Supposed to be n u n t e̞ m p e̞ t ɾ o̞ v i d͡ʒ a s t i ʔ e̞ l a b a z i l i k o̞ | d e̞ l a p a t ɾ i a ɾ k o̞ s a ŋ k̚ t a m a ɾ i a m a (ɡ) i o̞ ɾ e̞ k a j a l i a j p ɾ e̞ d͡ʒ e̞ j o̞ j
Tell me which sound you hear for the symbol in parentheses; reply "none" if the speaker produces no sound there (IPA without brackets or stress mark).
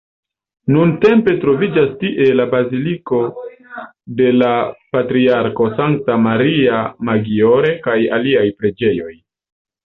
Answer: ɡ